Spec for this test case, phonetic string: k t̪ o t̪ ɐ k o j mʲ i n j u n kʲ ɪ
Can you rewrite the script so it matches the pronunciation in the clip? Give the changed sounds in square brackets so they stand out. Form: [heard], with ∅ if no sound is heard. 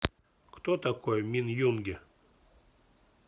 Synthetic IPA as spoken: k t̪ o t̪ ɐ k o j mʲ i n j u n [ɡʲ] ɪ